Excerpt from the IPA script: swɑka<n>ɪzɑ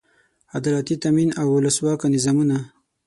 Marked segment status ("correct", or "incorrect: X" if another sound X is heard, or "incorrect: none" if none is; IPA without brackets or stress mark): correct